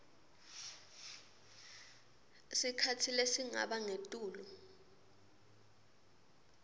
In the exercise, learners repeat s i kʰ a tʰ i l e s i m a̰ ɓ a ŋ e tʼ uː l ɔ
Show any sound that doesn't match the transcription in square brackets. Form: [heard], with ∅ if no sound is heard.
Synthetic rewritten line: s i kʰ a tʰ i l e s i [ŋ] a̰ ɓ a ŋ e tʼ uː l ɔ